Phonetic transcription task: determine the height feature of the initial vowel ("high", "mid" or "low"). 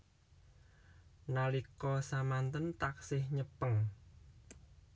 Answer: low